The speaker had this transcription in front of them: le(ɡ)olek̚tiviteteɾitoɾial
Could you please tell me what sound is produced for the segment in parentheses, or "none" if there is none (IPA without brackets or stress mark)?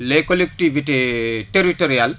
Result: k